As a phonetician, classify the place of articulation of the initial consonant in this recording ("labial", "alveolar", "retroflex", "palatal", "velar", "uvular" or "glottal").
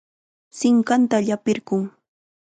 alveolar